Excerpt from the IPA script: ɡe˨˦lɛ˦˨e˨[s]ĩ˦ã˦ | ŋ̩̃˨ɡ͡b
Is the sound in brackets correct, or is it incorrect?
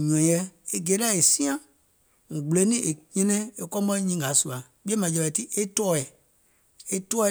correct